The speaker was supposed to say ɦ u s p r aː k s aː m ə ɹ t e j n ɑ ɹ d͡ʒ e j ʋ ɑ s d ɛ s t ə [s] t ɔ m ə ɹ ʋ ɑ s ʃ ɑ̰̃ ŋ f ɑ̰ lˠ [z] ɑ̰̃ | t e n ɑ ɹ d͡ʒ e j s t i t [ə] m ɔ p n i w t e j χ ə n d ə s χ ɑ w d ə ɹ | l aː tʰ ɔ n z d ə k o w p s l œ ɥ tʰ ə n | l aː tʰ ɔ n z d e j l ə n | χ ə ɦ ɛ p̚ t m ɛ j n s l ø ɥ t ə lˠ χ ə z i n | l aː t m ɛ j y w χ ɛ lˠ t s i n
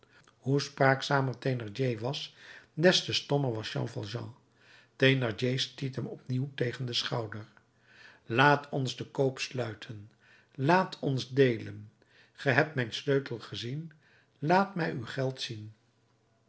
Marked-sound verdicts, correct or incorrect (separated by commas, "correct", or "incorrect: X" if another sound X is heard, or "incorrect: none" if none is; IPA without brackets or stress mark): correct, incorrect: ʒ, correct